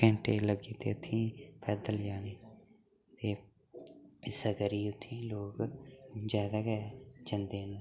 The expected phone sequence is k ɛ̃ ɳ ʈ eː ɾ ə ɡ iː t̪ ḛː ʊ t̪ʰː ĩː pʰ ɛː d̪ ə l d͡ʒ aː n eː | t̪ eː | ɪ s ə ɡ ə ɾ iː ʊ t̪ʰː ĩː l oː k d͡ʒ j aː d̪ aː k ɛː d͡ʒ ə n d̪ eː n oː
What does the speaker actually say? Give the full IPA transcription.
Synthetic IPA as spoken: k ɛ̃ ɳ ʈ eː l ə ɡ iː t̪ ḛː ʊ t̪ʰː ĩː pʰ ɛː d̪ ə l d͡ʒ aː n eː | t̪ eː | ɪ s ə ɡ ə ɾ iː ʊ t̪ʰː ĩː l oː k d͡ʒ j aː d̪ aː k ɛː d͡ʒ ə n d̪ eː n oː